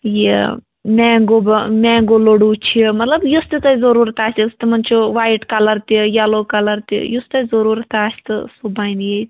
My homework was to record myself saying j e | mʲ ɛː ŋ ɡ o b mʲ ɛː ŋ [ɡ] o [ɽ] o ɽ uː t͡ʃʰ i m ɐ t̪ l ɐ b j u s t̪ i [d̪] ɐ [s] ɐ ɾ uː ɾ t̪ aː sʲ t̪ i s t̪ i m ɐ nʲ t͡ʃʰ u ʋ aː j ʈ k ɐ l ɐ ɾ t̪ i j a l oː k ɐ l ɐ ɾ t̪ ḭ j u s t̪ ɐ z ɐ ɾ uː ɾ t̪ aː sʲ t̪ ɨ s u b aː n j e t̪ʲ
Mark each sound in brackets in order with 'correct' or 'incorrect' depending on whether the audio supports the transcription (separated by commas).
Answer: correct, incorrect, incorrect, incorrect